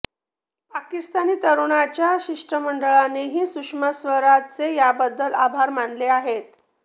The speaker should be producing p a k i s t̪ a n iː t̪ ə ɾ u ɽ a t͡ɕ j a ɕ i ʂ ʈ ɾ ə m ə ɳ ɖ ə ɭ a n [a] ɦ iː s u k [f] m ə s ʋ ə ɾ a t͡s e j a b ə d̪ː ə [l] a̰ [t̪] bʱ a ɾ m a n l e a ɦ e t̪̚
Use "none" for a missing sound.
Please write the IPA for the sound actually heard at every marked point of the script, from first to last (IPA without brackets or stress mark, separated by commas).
e, ʂ, l, none